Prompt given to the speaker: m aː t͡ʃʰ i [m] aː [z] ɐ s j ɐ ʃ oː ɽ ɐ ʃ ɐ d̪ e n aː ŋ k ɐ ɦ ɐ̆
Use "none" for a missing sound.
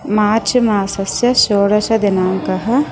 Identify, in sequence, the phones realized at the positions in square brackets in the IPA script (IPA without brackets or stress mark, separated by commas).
m, s